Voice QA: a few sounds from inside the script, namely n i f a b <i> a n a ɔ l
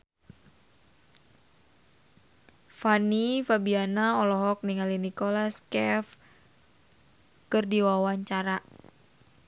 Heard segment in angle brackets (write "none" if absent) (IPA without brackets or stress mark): i